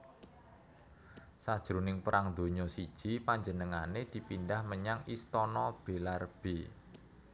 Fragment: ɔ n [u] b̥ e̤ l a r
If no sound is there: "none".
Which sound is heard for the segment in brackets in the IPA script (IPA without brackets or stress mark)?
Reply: ɔ